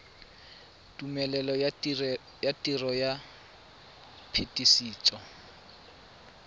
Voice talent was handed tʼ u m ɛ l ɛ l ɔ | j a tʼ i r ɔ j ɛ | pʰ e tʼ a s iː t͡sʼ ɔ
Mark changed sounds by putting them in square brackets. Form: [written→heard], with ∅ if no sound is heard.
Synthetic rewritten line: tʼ u m ɛ l ɛ l ɔ | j a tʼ i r ɔ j [ɛ→a] | pʰ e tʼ [a→i] s iː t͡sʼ ɔ